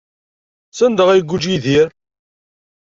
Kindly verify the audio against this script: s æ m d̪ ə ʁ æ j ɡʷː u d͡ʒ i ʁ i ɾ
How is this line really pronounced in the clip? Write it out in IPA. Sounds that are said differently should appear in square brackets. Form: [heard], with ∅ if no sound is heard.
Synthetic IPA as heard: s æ [n] d̪ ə ʁ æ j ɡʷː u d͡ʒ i [ð] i ɾ

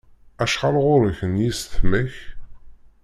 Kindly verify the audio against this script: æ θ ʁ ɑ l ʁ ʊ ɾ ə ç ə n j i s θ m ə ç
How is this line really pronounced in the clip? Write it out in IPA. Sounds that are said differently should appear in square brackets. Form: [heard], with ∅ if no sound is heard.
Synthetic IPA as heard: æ [ʃ] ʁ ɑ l ʁ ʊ ɾ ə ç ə n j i s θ m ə ç

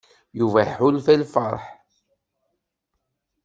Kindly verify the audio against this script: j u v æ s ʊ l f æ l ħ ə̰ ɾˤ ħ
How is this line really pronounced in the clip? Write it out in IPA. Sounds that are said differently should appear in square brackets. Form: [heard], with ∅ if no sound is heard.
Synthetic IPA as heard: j u v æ [ħ] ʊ l f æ l [f] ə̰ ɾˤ ħ

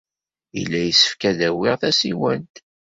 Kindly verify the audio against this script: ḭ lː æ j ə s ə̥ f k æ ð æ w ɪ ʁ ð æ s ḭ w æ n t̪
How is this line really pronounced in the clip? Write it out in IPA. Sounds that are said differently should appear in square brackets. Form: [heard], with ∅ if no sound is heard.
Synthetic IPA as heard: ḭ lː æ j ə s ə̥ f k æ ð æ w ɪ ʁ [θ] æ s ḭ w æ n t̪

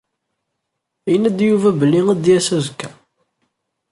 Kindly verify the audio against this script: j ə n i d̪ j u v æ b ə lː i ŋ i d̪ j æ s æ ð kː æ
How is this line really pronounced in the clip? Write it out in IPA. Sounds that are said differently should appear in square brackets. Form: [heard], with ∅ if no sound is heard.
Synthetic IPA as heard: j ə n [æ] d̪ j u v æ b ə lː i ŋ [æ] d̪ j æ s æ [z] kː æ

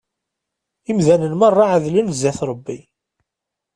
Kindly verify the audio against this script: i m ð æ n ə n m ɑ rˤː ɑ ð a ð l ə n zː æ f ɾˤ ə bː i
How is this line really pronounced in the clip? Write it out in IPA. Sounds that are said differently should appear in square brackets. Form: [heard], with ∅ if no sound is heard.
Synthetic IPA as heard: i m ð æ n ə n m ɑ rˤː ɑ [ʕ] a ð l ə n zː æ [θ] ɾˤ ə bː i

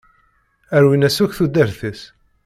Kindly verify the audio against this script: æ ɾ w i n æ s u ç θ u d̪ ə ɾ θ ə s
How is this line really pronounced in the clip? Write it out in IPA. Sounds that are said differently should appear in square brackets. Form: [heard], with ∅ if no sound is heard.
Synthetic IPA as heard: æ ɾ w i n æ s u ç θ u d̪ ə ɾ θ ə s

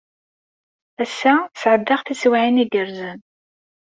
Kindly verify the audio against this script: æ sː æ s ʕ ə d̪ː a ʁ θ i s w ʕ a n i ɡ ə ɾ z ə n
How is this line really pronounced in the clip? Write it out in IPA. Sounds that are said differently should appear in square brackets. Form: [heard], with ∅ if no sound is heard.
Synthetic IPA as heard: æ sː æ s ʕ ə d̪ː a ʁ θ i s w ʕ [i] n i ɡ ə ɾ z ə n

